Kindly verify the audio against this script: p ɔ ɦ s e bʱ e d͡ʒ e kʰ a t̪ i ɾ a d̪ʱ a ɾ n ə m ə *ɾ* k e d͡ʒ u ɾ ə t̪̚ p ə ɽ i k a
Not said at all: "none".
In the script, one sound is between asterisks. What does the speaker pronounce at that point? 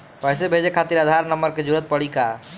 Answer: ɾ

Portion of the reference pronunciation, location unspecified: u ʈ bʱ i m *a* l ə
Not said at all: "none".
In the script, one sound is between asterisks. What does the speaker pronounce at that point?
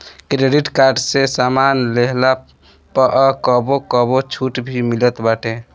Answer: i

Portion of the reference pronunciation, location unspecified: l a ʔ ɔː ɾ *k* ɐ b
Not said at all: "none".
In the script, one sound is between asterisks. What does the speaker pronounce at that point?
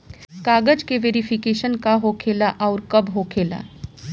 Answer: k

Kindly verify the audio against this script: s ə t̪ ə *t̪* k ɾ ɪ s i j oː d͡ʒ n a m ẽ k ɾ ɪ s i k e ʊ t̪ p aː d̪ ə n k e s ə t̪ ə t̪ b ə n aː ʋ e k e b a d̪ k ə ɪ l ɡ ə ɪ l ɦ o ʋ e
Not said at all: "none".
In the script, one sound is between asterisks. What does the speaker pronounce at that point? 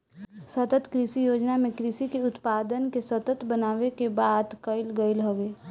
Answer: t̪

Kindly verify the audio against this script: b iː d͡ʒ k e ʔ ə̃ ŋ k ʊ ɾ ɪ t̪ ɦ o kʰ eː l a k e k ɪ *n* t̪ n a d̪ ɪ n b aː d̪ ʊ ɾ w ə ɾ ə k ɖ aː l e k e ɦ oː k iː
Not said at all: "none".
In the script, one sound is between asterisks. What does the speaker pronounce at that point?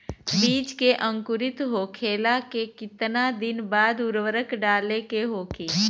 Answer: none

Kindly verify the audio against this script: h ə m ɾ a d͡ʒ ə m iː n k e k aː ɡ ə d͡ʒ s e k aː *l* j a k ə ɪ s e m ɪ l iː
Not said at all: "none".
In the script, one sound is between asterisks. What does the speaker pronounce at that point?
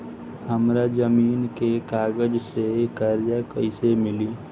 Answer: ɾ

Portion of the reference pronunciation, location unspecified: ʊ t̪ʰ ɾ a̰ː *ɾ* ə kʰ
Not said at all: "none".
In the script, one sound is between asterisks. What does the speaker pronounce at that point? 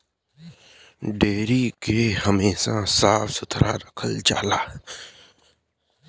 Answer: ɾ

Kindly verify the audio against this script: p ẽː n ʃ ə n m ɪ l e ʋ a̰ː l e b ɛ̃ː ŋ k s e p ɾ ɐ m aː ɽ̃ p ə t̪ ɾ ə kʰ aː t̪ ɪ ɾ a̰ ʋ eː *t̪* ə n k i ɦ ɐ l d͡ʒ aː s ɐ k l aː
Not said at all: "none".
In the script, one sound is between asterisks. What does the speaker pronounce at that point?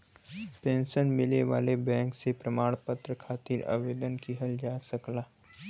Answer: d̪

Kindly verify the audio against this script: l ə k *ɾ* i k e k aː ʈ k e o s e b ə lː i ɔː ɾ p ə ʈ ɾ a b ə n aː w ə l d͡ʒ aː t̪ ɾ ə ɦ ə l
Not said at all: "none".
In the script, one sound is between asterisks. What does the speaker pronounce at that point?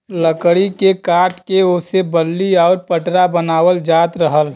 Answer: ɽ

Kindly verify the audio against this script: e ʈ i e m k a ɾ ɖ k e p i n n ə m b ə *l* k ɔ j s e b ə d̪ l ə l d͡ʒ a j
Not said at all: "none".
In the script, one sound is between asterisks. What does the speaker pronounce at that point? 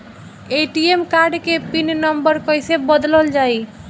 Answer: ɾ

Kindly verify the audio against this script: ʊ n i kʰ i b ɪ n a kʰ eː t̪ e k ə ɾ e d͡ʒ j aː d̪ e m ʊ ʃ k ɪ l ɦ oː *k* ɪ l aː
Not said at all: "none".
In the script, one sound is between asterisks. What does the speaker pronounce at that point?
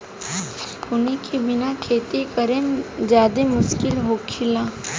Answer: kʰ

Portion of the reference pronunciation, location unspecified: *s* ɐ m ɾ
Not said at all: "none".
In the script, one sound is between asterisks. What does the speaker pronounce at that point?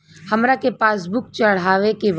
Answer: h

